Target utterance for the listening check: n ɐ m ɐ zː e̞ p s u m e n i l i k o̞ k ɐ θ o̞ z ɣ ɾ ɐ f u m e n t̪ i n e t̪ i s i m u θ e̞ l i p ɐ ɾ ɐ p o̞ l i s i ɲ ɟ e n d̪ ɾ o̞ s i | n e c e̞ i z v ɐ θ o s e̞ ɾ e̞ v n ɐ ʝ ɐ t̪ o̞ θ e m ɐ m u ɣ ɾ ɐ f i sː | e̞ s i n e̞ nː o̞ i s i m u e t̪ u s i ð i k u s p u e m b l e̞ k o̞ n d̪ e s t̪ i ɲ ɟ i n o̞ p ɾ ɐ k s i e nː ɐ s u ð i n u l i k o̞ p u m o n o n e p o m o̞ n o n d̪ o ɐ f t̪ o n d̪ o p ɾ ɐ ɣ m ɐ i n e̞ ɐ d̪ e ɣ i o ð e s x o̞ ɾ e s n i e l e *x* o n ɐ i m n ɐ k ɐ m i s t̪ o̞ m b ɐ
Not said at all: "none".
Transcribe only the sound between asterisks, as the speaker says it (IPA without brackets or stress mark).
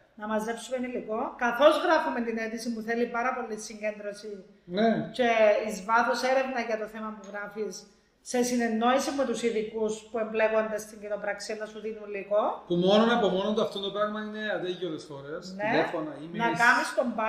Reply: f